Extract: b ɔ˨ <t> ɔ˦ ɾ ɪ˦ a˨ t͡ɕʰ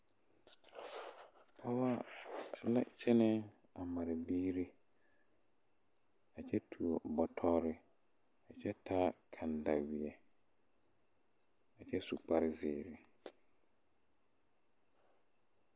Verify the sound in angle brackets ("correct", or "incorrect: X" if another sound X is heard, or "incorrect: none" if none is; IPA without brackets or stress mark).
incorrect: tʰ